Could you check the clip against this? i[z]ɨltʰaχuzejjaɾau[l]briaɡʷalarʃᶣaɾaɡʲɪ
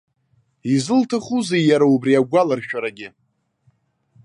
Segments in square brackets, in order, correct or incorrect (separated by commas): correct, incorrect